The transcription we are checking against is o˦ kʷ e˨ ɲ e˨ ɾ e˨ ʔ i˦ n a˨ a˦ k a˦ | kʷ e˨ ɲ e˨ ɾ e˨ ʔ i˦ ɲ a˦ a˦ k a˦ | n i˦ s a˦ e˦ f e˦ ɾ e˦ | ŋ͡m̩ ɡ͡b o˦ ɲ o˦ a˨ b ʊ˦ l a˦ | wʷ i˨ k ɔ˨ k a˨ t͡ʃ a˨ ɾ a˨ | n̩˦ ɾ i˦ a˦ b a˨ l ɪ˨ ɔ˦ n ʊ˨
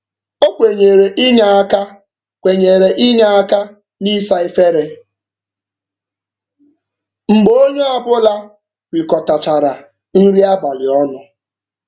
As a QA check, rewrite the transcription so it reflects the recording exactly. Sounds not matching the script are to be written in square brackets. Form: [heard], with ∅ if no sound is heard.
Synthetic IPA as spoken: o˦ kʷ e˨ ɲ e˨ ɾ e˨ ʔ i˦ [ɲ] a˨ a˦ k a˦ | kʷ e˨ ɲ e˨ ɾ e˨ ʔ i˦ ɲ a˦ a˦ k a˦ | n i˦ s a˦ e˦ f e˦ ɾ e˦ | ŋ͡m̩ ɡ͡b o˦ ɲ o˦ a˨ b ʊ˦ l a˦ | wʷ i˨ k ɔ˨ [t] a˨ t͡ʃ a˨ ɾ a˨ | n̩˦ ɾ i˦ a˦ b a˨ l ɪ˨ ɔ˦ n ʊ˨